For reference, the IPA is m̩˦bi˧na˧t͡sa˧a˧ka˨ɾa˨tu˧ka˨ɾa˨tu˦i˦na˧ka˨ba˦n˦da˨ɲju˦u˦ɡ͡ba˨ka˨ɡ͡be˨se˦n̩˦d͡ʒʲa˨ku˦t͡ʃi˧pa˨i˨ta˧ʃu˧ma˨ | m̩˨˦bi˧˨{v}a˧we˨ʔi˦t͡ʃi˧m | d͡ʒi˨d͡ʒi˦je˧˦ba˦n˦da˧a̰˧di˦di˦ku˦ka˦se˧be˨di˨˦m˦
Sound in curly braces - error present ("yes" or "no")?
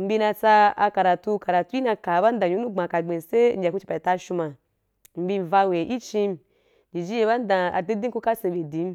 no